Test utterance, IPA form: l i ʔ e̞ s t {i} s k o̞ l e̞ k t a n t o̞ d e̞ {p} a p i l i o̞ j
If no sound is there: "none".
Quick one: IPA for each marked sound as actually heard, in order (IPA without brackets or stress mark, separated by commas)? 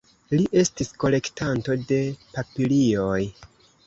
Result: i, p